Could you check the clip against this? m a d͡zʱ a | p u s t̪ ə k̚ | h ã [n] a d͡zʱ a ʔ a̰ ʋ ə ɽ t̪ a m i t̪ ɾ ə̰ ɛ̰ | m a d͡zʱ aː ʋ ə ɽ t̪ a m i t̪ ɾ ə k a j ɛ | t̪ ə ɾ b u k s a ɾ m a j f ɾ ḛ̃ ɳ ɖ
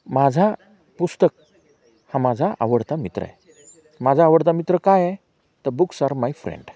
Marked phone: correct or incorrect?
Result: incorrect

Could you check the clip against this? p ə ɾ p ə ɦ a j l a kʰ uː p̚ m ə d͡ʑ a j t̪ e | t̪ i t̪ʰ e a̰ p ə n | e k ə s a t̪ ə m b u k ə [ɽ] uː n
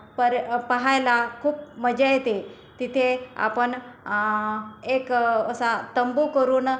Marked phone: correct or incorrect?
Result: incorrect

